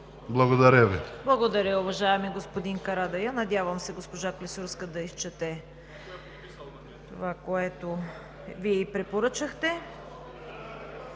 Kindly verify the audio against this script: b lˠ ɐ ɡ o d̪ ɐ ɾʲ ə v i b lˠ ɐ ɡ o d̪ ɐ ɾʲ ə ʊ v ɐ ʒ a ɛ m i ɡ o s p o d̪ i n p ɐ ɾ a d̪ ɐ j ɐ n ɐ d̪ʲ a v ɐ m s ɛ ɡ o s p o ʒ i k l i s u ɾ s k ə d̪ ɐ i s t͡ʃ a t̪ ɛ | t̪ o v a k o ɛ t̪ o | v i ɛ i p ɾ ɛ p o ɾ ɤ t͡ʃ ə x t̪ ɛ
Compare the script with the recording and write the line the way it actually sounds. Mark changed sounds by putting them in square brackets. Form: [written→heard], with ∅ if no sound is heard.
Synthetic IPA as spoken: b lˠ ɐ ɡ o d̪ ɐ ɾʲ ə v i b lˠ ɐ ɡ o d̪ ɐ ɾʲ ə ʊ v ɐ ʒ a ɛ m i ɡ o s p o d̪ i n [p→k] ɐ ɾ a d̪ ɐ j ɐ n ɐ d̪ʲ a v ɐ m s ɛ ɡ o s p o ʒ [i→a] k l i s u ɾ s k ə d̪ ɐ i s t͡ʃ [a→ɛ] t̪ ɛ | t̪ o v a k o ɛ t̪ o | v i ɛ i p ɾ ɛ p o ɾ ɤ t͡ʃ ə x t̪ ɛ

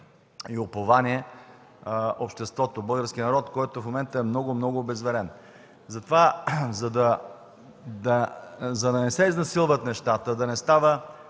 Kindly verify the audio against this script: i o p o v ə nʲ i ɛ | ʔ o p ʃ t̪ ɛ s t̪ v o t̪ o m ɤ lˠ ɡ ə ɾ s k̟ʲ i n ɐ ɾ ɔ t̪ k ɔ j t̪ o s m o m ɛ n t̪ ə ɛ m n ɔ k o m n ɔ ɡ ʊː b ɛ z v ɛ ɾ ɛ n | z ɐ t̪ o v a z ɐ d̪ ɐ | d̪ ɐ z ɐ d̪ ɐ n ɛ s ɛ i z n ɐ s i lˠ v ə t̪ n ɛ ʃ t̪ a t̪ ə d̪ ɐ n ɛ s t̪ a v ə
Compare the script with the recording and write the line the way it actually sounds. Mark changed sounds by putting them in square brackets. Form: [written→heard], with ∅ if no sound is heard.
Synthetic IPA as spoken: i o p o v [ə→a] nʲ i ɛ | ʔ o p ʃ t̪ ɛ s t̪ v [o→ɔ] t̪ o [m→b] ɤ lˠ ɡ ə ɾ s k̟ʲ i n ɐ ɾ ɔ t̪ k ɔ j t̪ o [s→f] m o m ɛ n t̪ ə ɛ m n ɔ [k→ɡ] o m n ɔ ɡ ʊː b ɛ z v ɛ ɾ ɛ n | z ɐ t̪ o v a z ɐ d̪ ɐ | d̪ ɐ z ɐ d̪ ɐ n ɛ s ɛ i z n ɐ s i lˠ v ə t̪ n ɛ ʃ t̪ a t̪ ə d̪ ɐ n ɛ s t̪ a v ə

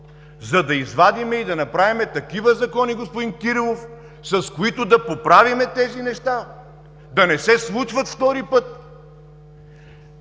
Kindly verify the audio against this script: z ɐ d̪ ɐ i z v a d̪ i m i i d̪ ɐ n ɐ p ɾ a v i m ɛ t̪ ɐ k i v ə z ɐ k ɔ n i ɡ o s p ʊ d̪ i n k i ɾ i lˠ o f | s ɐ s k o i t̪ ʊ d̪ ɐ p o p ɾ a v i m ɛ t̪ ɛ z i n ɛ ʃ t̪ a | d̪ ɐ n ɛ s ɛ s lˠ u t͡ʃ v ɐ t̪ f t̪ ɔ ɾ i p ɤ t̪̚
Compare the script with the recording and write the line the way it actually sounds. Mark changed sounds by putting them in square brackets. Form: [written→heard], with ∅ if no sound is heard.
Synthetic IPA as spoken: z ɐ d̪ ɐ i z v a d̪ i m [i→ɛ] i d̪ ɐ n ɐ p ɾ a v i m ɛ t̪ ɐ k i v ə z ɐ k ɔ n i ɡ o s p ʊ d̪ i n k i ɾ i lˠ o f | s ɐ s k o i t̪ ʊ d̪ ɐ p o p ɾ a v i m ɛ t̪ ɛ z i n ɛ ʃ t̪ a | d̪ ɐ n ɛ s ɛ s lˠ u t͡ʃ v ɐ t̪ f t̪ ɔ ɾ i p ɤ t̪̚

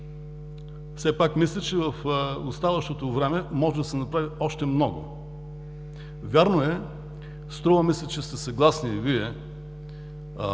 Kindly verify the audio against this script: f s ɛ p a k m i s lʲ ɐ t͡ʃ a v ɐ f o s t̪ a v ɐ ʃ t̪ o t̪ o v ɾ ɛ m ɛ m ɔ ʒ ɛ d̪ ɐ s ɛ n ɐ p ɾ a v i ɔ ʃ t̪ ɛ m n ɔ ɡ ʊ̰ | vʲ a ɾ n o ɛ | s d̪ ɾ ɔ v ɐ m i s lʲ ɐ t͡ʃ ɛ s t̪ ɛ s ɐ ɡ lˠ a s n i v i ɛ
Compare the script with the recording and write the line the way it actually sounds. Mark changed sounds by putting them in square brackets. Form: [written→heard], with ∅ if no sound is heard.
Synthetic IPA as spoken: f s ɛ p a k m i s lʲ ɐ t͡ʃ [a→ɛ] v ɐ f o s t̪ a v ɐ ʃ t̪ o t̪ o v ɾ ɛ m ɛ m ɔ ʒ ɛ d̪ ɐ s ɛ n ɐ p ɾ a v i ɔ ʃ t̪ ɛ m n ɔ ɡ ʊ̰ | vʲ a ɾ n o ɛ | s [d̪→t̪] ɾ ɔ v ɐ m i s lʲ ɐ t͡ʃ ɛ s t̪ ɛ s ɐ ɡ lˠ a s n i v i ɛ

